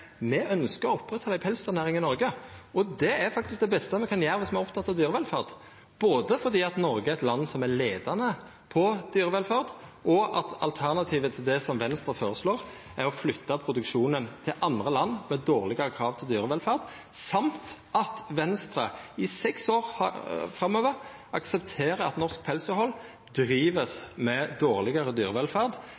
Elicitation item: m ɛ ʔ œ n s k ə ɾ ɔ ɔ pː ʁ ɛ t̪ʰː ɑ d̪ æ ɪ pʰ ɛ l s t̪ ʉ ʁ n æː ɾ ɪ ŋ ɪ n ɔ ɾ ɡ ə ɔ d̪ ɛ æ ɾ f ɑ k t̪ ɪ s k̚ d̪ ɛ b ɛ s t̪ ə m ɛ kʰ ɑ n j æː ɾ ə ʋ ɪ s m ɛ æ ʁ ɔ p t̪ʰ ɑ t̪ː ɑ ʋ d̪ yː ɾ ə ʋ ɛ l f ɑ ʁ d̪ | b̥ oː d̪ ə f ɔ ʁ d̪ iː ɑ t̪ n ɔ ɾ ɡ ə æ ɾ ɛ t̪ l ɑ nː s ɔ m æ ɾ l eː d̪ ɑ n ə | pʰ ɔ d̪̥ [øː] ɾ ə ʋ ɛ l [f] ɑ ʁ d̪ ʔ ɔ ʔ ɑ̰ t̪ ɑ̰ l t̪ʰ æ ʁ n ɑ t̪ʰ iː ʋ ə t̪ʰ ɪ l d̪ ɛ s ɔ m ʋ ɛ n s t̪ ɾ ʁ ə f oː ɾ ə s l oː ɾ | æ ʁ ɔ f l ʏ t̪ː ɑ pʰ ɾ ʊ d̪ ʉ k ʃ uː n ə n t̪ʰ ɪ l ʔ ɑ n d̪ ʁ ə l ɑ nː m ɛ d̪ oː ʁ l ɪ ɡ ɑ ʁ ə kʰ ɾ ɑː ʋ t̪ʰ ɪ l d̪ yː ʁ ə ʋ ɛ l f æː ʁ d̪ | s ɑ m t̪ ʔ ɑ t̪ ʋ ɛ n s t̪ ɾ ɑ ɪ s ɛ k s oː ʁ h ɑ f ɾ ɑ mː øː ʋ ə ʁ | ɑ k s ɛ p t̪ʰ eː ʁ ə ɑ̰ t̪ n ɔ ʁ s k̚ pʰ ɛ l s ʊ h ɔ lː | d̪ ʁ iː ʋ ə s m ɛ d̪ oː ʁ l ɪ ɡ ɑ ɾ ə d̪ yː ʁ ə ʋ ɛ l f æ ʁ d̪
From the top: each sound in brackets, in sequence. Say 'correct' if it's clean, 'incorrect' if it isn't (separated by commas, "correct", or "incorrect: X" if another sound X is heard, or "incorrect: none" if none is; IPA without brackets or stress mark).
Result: incorrect: yː, correct